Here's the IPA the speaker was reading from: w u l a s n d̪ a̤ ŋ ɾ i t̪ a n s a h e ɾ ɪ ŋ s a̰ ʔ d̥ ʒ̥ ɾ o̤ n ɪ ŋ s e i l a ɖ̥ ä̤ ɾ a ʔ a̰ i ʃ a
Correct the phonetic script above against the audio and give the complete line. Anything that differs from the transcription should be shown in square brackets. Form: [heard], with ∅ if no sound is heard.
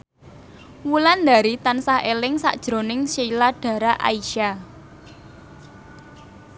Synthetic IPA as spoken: w u l a [∅] n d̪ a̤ [∅] ɾ i t̪ a n s a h e [l] ɪ ŋ s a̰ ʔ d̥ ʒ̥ ɾ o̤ n ɪ ŋ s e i l a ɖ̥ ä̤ ɾ a ʔ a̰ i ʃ a